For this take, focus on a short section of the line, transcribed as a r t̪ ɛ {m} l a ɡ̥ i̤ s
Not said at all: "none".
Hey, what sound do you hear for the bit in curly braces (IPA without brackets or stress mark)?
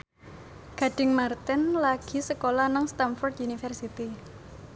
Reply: n